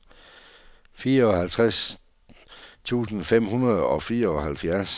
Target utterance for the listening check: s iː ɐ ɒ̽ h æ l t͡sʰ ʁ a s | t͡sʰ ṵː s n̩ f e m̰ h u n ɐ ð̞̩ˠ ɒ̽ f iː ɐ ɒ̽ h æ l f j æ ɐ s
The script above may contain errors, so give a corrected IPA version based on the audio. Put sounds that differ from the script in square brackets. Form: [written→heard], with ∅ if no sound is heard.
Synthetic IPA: [s→f] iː ɐ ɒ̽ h æ l t͡sʰ ʁ a s | t͡sʰ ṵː s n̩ f e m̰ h u n ɐ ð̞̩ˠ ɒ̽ f iː ɐ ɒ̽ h æ l f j æ ɐ s

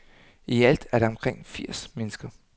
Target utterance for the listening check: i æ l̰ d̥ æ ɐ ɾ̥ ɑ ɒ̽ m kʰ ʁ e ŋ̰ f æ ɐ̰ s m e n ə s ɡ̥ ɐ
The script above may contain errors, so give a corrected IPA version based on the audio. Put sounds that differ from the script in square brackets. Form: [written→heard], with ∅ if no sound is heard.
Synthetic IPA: i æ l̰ d̥ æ ɐ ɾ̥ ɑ ɒ̽ m kʰ ʁ e ŋ̰ f [æ→i] ɐ̰ s m e n ə s ɡ̥ ɐ

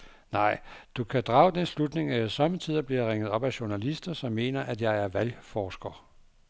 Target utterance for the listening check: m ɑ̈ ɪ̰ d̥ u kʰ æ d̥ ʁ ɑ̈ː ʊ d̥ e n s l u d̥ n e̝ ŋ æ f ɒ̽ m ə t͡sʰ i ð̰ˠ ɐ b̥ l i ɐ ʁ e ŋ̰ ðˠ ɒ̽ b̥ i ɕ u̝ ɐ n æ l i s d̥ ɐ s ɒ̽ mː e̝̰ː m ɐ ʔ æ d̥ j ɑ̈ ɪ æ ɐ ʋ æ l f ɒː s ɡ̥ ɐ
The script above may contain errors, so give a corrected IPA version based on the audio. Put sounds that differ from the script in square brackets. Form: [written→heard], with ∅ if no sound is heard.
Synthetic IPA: [m→n] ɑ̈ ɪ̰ d̥ u kʰ æ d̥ ʁ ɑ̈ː ʊ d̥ e n s l u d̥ n e̝ ŋ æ [f→s] ɒ̽ m ə t͡sʰ i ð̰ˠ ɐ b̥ l i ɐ ʁ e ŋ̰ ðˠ ɒ̽ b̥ [i→æ] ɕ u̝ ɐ n æ l i s d̥ ɐ s ɒ̽ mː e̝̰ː [m→n] ɐ ʔ æ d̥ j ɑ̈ ɪ æ ɐ ʋ æ l f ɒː s ɡ̥ ɐ

